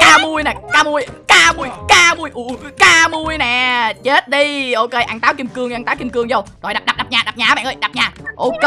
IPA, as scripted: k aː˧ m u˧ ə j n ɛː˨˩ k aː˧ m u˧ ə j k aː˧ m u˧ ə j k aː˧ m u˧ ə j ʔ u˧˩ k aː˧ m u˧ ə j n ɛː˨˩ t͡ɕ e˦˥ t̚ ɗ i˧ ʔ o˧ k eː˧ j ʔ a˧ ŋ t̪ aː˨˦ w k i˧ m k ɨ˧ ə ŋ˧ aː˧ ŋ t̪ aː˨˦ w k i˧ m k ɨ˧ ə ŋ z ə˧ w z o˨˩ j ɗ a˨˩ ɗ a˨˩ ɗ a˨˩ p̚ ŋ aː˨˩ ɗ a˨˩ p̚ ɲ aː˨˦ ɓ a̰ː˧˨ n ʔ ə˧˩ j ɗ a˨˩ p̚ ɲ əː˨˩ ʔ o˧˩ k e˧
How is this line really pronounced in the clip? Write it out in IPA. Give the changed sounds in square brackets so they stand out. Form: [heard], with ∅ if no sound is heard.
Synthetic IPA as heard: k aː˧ m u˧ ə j n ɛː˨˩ k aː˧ m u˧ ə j k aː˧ m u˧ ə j k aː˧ m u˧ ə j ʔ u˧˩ k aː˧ m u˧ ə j n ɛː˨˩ t͡ɕ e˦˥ t̚ ɗ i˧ ʔ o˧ k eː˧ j ʔ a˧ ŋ t̪ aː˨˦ w k i˧ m k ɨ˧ ə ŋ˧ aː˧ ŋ t̪ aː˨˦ w k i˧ m k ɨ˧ ə ŋ z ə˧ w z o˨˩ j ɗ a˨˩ ɗ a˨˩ ɗ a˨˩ p̚ [ɲ] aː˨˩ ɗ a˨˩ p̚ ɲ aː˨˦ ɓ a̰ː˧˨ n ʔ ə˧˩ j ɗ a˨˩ p̚ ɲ [aː˨˩] ʔ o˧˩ k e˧